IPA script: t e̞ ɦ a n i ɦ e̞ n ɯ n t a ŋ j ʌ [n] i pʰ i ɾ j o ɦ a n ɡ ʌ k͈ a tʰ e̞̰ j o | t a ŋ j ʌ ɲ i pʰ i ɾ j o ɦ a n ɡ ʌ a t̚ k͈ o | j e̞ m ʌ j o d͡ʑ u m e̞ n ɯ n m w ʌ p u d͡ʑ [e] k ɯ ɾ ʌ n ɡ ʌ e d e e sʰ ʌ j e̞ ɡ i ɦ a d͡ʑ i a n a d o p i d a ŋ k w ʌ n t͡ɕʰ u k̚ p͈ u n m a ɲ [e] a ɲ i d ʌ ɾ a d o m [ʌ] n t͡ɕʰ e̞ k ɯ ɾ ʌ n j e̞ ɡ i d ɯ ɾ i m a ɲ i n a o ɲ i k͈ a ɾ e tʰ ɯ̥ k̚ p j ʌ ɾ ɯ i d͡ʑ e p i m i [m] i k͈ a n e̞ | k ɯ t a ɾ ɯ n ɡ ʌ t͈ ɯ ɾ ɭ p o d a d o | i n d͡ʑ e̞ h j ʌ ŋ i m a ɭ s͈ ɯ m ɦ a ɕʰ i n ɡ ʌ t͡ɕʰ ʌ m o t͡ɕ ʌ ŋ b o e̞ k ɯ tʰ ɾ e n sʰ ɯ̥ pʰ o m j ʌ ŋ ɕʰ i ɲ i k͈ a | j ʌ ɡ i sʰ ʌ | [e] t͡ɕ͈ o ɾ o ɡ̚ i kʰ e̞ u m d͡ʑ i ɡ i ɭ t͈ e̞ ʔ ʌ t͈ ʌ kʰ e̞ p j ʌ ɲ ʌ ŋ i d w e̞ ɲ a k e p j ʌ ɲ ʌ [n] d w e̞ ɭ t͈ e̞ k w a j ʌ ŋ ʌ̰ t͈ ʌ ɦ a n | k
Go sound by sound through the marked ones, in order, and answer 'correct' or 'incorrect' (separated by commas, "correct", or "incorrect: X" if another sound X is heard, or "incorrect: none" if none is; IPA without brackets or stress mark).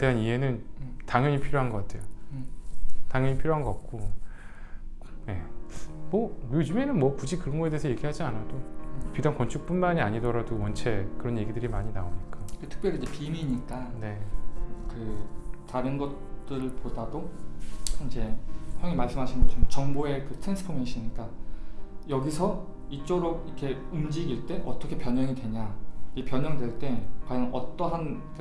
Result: incorrect: ɲ, incorrect: i, incorrect: i, correct, incorrect: ɲ, incorrect: i, incorrect: ŋ